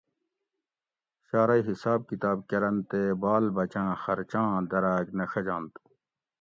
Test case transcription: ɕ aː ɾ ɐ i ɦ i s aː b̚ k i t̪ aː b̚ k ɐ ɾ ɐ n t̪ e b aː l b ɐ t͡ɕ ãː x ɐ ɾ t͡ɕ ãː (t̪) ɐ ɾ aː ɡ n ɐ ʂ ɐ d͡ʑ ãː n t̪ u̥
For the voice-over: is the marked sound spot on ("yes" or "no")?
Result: no